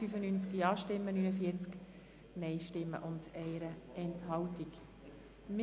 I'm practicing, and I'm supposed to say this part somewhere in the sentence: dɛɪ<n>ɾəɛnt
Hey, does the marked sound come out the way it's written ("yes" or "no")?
no